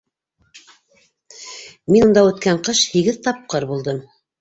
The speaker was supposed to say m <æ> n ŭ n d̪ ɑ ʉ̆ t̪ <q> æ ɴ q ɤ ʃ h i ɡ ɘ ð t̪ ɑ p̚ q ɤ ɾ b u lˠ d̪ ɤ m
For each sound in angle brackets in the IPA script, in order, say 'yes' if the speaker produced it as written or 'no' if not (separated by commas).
no, no